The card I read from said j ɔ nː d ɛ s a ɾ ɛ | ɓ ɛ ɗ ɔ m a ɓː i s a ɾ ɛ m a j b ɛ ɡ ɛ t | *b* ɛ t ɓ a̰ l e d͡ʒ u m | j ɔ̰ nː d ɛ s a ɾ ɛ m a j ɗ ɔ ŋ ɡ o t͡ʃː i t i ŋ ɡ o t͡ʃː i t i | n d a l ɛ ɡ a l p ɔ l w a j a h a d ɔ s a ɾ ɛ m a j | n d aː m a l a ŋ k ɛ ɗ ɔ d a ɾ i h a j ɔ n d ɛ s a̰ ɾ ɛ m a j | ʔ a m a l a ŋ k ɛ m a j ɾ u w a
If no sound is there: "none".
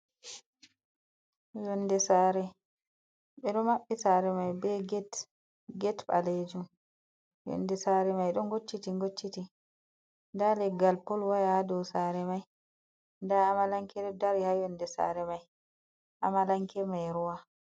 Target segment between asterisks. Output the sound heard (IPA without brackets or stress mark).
ɡ